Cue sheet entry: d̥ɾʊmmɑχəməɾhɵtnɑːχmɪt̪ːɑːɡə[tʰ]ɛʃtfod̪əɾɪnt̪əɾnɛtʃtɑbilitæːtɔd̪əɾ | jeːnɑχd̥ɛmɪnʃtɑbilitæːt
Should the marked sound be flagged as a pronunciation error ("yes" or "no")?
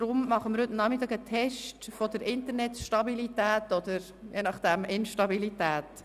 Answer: no